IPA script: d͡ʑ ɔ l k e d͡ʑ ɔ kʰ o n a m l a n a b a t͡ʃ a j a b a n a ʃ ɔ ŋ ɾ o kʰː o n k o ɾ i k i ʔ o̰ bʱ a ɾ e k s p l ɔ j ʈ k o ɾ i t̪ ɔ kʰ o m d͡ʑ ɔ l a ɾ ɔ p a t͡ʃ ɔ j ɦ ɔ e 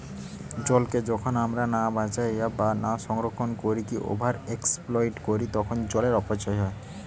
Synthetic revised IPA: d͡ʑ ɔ l k e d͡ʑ ɔ kʰ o n a m ɾ a n a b a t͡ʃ a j a b a n a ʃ ɔ ŋ ɾ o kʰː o n k o ɾ i k i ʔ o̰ bʱ a ɾ e k s p l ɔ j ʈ k o ɾ i t̪ ɔ kʰ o n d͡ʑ ɔ l e ɾ ɔ p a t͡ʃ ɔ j ɦ ɔ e